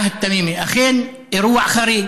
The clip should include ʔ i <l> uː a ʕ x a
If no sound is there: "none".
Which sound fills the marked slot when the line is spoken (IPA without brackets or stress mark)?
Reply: ɾ